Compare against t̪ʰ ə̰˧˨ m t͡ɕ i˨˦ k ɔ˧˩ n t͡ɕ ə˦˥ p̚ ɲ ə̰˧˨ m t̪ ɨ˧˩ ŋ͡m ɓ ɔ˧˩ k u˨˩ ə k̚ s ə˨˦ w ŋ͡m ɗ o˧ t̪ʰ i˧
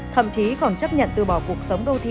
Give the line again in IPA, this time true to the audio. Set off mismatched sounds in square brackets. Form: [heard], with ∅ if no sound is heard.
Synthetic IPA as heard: t̪ʰ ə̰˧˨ m t͡ɕ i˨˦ k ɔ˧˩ n t͡ɕ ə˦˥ p̚ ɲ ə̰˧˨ [n] t̪ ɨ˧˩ [∅] ɓ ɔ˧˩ k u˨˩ ə k̚ s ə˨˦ w ŋ͡m ɗ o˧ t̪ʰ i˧

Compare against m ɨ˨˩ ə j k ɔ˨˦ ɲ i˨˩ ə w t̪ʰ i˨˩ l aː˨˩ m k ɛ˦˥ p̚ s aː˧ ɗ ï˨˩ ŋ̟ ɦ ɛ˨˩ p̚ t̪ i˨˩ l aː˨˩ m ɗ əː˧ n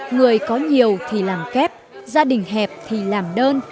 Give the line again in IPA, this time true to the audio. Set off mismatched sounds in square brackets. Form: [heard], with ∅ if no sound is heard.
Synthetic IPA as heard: [ŋ] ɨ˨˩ ə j k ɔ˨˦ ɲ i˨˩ ə w t̪ʰ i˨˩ l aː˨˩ m k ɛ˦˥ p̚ [z] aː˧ ɗ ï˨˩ ŋ̟ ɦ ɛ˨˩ p̚ [t̪ʰ] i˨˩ l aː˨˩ m ɗ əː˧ n

